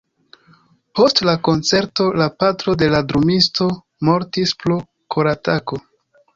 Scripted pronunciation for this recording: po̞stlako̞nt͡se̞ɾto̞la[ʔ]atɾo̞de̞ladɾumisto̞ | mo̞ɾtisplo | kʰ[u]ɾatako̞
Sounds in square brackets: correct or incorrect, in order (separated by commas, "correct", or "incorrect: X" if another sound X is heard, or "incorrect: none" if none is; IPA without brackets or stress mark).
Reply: incorrect: p, incorrect: o